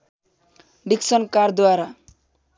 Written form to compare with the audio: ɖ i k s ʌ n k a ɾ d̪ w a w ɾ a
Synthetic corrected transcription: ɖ i k s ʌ n k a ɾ d̪ w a ɾ a